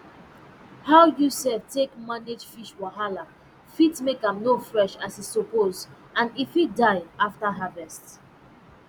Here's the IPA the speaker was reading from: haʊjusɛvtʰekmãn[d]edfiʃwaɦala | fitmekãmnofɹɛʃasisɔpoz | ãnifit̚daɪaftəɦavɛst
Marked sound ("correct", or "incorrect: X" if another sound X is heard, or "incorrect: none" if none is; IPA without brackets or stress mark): correct